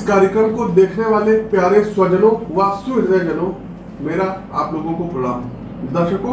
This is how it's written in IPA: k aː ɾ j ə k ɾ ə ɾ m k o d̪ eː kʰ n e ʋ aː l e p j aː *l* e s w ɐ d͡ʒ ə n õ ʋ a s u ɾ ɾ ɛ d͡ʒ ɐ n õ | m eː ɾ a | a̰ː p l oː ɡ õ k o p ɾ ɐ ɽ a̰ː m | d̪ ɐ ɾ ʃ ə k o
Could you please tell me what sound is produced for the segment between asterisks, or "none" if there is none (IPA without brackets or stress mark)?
ɾ